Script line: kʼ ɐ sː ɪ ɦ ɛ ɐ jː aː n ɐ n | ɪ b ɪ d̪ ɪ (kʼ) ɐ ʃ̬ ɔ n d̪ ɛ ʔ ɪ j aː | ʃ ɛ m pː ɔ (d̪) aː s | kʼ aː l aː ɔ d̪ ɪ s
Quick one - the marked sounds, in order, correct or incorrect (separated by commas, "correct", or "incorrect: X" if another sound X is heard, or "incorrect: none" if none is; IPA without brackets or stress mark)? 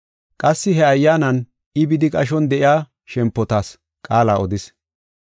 correct, incorrect: t̪